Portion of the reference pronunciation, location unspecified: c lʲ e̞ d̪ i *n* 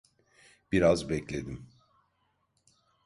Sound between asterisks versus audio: incorrect: m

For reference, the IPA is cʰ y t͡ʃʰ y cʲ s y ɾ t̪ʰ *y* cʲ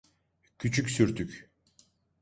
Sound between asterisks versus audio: correct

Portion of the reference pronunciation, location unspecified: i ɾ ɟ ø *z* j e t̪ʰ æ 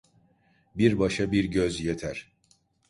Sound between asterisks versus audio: correct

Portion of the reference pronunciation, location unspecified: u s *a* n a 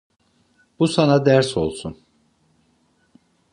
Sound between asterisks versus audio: correct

